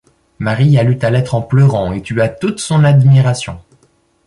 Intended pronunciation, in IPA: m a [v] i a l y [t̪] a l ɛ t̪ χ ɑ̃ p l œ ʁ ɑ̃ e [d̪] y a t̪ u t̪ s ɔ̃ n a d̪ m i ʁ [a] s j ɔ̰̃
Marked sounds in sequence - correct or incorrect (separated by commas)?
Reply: incorrect, correct, incorrect, correct